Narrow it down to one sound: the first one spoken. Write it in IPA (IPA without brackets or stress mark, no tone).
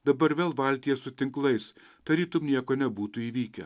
d̪